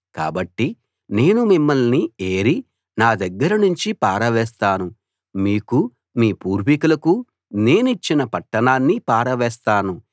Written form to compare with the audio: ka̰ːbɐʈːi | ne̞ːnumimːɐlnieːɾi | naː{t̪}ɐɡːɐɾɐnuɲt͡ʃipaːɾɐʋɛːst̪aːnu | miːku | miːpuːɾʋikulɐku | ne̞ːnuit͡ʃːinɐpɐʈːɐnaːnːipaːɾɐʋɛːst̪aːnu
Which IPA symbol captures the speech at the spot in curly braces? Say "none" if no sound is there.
d̪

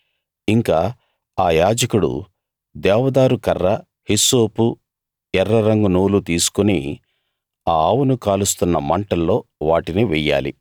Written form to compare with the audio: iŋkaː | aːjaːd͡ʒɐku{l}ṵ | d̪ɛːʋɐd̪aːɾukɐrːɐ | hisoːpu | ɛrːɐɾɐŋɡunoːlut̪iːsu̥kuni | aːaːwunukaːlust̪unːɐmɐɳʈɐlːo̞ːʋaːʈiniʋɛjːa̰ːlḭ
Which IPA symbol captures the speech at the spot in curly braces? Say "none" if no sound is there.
ɽ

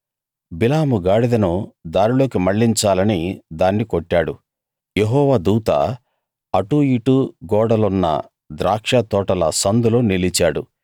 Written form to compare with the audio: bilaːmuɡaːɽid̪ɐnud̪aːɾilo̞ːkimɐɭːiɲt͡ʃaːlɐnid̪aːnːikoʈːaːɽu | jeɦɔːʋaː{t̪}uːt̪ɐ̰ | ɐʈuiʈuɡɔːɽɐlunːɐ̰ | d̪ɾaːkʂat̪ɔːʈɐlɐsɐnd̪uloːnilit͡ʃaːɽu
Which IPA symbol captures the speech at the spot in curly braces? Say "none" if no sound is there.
d̪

